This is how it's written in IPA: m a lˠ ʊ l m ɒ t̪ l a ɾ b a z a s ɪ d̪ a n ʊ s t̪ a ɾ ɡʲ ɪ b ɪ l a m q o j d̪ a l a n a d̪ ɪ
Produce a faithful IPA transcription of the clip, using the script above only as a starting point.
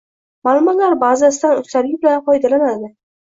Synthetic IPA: m a lˠ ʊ m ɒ t̪ l a ɾ b a z a s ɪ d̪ a n ʊ s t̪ a ɾ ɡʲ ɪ b ɪ l a n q ɒ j d̪ a l a n a d̪ ɪ